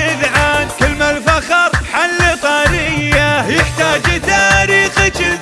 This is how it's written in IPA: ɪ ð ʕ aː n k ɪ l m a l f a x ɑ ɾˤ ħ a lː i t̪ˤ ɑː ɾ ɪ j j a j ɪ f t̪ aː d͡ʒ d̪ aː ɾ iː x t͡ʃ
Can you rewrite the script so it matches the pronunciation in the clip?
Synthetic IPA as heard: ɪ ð ʕ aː n k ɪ l m a l f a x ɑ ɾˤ ħ a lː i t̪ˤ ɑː ɾ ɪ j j a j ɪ ħ t̪ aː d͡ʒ t̪ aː ɾ iː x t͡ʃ

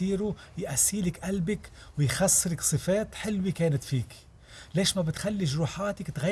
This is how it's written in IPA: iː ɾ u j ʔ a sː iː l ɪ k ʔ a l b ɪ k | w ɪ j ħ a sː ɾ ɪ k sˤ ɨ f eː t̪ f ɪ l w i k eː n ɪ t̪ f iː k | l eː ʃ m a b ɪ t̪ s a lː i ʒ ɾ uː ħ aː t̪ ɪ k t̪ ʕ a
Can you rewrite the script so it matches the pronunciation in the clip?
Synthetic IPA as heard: iː ɾ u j ʔ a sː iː l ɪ k ʔ a l b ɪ k | w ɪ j x a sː ɾ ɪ k sˤ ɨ f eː t̪ ħ ɪ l w i k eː n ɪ t̪ f iː k | l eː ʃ m a b ɪ t̪ x a lː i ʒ ɾ uː ħ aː t̪ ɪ k t̪ ɣ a

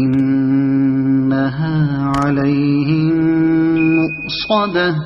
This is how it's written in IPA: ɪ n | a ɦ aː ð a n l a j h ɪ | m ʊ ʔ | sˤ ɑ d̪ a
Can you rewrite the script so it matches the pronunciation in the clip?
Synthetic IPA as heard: ɪ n | a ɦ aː ʕ a l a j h ɪ | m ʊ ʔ | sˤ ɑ d̪ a

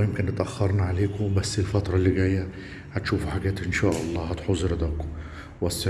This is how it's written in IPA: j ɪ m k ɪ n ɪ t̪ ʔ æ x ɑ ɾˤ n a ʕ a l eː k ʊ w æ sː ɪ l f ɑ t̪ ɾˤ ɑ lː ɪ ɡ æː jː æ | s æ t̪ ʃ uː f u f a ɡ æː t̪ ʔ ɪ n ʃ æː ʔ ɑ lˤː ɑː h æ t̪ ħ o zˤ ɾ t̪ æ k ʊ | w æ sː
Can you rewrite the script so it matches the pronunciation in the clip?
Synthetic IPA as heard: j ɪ m k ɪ n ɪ t̪ ʔ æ xː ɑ ɾˤ n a ʕ a l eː k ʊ b æ sː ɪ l f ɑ t̪ ɾˤ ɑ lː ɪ ɡ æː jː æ | h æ t̪ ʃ uː f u ħ a ɡ æː t̪ ʔ ɪ n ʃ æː ʔ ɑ lˤː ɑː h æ t̪ ħ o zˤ ɾ d̪ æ k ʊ | w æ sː

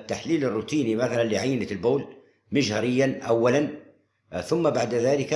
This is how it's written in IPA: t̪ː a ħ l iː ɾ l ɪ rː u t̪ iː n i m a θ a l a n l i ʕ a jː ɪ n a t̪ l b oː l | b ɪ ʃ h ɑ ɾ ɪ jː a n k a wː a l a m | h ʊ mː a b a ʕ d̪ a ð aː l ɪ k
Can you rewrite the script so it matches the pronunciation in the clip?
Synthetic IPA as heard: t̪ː a ħ l iː l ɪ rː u t̪ iː n i m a θ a l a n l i ʕ a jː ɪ n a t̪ l b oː l | m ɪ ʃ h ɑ ɾ ɪ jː a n ʔ a wː a l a n | θ ʊ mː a b a ʕ d̪ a ð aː l ɪ k

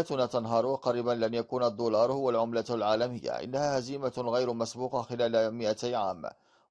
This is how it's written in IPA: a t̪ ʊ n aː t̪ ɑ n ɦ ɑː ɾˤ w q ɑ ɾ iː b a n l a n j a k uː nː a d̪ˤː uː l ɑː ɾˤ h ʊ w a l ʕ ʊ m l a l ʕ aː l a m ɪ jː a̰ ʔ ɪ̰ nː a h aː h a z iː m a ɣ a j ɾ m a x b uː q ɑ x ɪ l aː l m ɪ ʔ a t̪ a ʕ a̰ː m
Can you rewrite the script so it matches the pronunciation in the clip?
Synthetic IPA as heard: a t̪ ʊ n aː t̪ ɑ n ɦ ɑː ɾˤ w q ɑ ɾ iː b a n l a n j a k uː n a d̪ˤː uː l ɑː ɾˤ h ʊ w a l ʕ ʊ m l a l ʕ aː l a m ɪ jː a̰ ʔ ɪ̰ nː a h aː h a z iː m a ɣ a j ɾ m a s b uː q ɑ x ɪ l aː l m ɪ ʔ a t̪ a ʕ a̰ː m

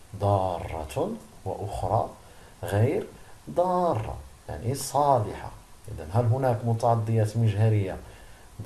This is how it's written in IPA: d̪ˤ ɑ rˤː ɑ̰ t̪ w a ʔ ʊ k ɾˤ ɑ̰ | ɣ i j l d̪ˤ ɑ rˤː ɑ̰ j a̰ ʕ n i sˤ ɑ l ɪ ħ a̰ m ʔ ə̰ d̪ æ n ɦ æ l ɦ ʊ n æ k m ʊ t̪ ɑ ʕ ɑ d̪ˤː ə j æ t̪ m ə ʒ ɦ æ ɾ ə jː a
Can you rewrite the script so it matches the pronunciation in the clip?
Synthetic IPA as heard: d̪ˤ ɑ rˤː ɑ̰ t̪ w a ʔ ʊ x ɾˤ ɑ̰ | ɣ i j ɾ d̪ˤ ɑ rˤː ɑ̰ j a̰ ʕ n i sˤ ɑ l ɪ ħ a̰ ʔ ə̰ d̪ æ n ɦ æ l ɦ ʊ n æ k m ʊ t̪ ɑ ʕ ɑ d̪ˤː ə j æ t̪ m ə ʒ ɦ æ ɾ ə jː a

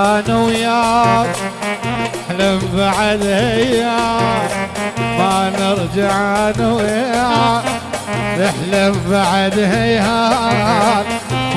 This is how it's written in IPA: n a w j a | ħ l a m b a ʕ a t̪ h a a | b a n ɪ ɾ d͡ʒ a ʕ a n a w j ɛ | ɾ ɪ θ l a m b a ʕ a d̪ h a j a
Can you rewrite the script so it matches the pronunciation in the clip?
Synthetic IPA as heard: n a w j a | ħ l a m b a ʕ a d̪ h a a | m a n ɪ ɾ d͡ʒ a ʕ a n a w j a | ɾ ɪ ħ l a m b a ʕ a d̪ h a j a

